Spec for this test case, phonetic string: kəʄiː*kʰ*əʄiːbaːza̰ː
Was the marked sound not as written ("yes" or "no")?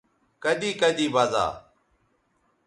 yes